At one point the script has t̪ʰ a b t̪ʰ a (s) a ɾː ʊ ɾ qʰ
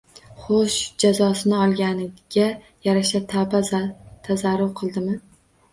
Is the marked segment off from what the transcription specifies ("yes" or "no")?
yes